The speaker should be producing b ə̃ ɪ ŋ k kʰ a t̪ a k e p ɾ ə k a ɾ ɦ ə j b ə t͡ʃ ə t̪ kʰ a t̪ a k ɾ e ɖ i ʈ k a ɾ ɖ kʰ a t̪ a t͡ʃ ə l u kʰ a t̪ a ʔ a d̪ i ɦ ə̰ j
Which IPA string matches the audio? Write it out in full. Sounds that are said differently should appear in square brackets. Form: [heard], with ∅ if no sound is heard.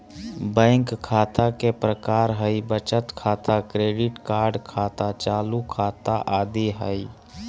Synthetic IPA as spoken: b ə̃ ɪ ŋ k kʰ a t̪ a k e p ɾ ə k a ɾ ɦ ə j b ə t͡ʃ ə t̪ kʰ a t̪ a k ɾ e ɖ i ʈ k a ɾ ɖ kʰ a t̪ a t͡ʃ [a] l u kʰ a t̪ a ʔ a d̪ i ɦ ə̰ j